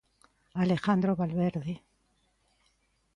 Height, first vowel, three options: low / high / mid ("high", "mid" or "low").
low